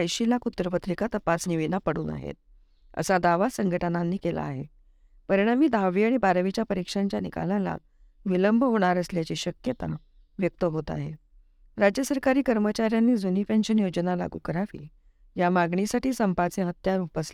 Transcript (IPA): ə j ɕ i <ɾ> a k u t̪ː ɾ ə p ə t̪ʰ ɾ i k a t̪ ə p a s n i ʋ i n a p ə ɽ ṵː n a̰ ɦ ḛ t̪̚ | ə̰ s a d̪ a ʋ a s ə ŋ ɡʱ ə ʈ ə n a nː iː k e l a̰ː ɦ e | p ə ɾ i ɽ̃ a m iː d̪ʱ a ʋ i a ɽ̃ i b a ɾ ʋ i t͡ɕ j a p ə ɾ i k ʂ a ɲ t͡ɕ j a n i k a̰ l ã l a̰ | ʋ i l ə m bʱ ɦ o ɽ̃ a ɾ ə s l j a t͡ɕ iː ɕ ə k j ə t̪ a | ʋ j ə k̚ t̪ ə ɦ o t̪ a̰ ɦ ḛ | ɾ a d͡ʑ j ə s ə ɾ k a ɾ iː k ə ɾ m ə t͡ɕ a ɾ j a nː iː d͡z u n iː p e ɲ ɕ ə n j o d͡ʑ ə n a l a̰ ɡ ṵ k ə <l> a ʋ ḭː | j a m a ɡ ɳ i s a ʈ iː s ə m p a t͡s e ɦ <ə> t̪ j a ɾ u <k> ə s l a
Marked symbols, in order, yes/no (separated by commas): no, no, yes, no